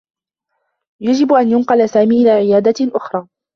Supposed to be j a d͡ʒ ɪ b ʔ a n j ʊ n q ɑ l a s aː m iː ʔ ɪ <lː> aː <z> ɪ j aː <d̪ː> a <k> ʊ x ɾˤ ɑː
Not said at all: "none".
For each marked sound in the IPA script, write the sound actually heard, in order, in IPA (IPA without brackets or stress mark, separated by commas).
l, ʕ, d̪, ʔ